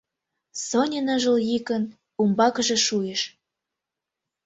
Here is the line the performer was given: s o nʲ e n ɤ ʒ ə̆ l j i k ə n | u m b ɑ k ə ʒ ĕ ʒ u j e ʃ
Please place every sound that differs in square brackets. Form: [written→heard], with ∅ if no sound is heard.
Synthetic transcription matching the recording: s o nʲ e n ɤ ʒ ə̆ l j i k ə n | u m b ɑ k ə ʒ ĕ [ʒ→ʃ] u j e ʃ